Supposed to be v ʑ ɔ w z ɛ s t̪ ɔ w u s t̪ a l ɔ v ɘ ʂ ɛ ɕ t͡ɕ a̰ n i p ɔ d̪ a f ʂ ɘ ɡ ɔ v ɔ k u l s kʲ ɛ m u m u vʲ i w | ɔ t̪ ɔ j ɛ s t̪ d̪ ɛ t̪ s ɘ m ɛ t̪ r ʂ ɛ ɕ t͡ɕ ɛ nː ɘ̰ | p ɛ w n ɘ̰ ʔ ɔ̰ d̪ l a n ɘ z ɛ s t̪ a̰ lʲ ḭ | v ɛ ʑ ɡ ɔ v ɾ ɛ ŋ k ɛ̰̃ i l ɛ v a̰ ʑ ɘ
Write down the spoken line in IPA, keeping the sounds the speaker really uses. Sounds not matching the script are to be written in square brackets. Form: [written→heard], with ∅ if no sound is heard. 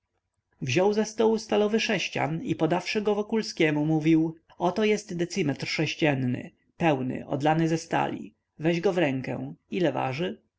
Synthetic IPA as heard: v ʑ ɔ w z ɛ s t̪ ɔ w u s t̪ a l ɔ v ɘ ʂ ɛ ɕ t͡ɕ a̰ n i p ɔ d̪ a f ʂ ɘ ɡ ɔ v ɔ k u l s kʲ ɛ m u m u vʲ i w | ɔ t̪ ɔ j ɛ s t̪ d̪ ɛ t̪ s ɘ m ɛ t̪ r ʂ ɛ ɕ t͡ɕ ɛ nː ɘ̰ | p ɛ w n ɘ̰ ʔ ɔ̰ d̪ l a n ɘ z ɛ s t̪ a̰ lʲ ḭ | v ɛ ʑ ɡ ɔ v ɾ ɛ ŋ k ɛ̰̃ i l ɛ v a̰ [ʑ→ʐ] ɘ

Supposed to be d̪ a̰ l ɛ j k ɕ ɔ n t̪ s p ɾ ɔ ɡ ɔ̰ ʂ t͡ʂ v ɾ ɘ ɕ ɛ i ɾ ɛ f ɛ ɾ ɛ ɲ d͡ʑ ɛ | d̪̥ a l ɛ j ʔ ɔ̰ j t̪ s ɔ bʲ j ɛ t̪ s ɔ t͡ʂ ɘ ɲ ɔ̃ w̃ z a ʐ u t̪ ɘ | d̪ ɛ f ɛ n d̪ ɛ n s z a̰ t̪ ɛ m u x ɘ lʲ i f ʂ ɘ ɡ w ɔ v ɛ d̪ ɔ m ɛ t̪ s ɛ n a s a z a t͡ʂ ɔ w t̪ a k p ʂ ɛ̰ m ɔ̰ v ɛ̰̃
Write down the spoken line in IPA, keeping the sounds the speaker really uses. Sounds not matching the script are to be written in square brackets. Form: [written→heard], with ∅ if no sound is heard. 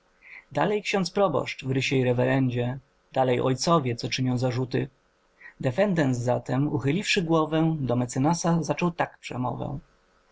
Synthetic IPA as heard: d̪ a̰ l ɛ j k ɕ ɔ n t̪ s p ɾ ɔ [ɡ→b] ɔ̰ ʂ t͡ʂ v ɾ ɘ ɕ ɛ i ɾ ɛ [f→v] ɛ ɾ ɛ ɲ d͡ʑ ɛ | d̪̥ a l ɛ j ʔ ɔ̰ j t̪ s ɔ [bʲ→vʲ] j ɛ t̪ s ɔ t͡ʂ ɘ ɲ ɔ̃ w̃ z a ʐ u t̪ ɘ | d̪ ɛ f ɛ n d̪ ɛ n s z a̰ t̪ ɛ m u x ɘ lʲ i f ʂ ɘ ɡ w ɔ v ɛ d̪ ɔ m ɛ t̪ s ɛ n a s a z a t͡ʂ ɔ w t̪ a k p ʂ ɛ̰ m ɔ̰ v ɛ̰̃

